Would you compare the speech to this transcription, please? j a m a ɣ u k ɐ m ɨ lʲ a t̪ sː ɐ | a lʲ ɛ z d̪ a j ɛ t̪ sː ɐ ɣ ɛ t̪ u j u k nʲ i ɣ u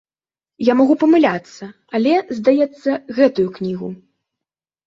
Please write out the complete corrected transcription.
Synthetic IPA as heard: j a m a ɣ u p ɐ m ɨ lʲ a t̪ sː ɐ | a lʲ ɛ z d̪ a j ɛ t̪ sː ɐ ɣ ɛ t̪ u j u k nʲ i ɣ u